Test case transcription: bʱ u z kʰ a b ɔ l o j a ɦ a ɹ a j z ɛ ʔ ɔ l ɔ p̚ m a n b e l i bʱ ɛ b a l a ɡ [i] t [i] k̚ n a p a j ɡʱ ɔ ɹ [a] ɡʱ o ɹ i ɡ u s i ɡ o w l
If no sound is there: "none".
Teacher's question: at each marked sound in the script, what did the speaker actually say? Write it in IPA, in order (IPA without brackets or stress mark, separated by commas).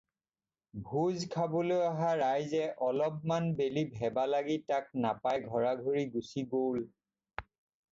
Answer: i, a, a